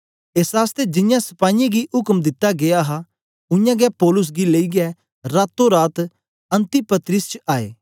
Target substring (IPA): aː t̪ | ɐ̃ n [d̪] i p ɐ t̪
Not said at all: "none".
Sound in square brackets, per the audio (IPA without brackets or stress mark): t̪